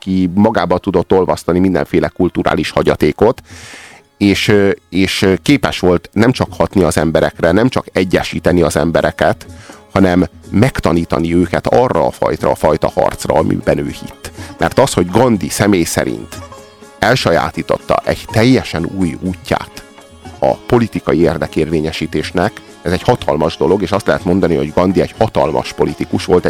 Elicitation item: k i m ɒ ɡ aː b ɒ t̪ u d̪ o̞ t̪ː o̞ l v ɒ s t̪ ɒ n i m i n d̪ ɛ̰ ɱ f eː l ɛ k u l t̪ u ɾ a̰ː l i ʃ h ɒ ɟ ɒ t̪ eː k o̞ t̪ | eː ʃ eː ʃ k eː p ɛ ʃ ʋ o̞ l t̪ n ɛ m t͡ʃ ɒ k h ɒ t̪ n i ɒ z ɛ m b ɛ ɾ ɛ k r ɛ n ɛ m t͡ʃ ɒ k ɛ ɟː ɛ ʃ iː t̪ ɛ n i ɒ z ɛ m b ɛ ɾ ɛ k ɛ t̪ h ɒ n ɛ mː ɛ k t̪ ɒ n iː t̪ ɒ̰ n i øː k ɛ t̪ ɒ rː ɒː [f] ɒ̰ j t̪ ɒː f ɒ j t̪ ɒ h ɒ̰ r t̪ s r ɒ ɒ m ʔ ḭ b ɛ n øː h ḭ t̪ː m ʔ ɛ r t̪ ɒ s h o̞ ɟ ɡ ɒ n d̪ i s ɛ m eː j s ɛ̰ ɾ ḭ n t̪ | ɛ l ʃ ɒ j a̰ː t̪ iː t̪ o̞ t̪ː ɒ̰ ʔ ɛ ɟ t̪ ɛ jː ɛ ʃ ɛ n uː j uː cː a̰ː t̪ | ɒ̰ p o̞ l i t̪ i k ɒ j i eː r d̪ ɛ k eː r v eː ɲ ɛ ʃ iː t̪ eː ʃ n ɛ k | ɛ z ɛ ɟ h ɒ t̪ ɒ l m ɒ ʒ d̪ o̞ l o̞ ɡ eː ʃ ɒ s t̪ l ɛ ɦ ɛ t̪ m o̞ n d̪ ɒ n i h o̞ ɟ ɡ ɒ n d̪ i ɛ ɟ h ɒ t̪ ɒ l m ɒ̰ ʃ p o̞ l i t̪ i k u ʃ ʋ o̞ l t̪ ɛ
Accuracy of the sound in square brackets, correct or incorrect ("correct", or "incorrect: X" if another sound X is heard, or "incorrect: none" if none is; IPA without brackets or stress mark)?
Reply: correct